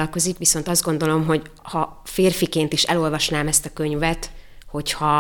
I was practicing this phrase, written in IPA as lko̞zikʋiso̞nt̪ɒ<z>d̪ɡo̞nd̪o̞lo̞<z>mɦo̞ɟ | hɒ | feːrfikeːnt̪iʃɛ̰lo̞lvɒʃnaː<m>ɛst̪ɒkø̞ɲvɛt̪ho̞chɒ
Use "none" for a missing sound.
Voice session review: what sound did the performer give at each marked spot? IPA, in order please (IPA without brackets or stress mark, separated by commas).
z, none, m